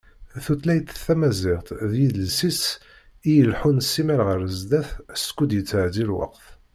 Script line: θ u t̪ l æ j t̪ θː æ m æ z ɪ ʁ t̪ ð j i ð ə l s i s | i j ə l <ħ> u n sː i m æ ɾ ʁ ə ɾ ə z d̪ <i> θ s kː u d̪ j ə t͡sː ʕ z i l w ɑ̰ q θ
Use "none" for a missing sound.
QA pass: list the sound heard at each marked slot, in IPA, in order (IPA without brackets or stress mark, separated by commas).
ħ, æ